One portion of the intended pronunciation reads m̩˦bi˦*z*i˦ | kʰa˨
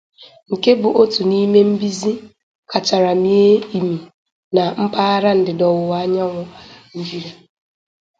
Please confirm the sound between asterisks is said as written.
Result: yes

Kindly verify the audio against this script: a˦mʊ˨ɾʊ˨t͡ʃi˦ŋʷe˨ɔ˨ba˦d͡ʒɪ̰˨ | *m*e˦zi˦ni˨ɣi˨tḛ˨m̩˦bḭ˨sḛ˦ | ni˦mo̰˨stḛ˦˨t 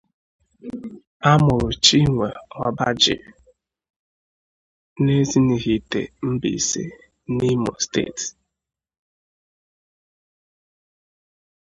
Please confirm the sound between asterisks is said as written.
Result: no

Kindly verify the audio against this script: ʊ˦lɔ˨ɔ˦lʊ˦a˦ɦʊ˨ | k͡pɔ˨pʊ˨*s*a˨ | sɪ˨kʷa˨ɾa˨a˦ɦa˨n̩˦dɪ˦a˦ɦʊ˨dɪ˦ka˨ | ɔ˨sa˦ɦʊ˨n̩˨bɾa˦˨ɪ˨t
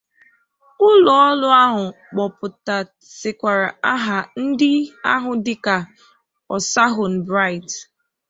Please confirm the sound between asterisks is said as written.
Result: no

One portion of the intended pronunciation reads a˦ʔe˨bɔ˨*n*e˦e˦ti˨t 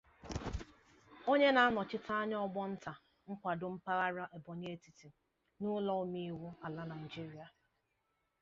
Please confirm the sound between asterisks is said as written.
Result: no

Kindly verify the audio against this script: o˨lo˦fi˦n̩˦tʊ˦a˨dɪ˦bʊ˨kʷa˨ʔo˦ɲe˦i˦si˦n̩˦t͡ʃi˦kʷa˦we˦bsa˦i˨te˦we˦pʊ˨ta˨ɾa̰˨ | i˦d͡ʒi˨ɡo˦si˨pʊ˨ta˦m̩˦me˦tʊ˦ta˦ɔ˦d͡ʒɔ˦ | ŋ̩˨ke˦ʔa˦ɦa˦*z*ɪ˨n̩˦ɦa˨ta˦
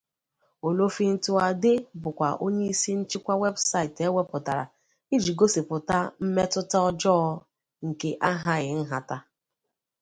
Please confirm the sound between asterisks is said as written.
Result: no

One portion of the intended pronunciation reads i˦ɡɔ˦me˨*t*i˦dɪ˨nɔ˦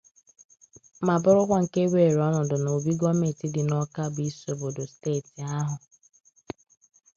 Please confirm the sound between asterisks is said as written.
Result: yes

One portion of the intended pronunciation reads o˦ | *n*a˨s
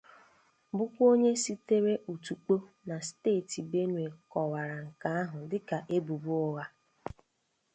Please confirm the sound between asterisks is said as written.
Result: yes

